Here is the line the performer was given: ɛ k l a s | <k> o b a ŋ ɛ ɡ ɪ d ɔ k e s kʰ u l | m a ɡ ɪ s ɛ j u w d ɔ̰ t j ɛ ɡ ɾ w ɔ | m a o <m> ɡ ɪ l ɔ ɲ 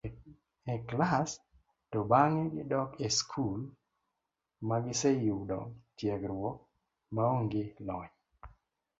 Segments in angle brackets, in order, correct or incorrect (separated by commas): incorrect, incorrect